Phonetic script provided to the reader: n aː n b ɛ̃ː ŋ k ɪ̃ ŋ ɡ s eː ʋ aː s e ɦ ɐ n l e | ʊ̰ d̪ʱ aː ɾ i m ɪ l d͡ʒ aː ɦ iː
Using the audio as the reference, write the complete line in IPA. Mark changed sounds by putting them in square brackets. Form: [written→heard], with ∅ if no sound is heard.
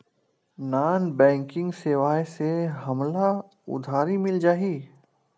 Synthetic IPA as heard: n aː n b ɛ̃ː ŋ k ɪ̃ ŋ ɡ s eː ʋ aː s e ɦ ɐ [n→m] l [e→a] | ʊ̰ d̪ʱ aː ɾ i m ɪ l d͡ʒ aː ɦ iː